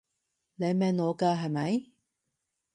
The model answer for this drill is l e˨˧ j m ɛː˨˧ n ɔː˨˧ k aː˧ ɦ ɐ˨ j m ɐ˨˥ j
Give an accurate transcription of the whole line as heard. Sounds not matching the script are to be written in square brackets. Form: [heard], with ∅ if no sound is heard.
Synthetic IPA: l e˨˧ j m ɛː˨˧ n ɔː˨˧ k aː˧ ɦ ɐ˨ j m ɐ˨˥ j